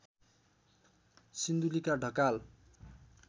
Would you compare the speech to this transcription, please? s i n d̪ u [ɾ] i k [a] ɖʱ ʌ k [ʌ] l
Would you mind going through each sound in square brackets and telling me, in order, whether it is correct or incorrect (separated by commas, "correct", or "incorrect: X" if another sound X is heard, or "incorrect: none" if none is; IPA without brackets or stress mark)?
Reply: incorrect: l, correct, incorrect: a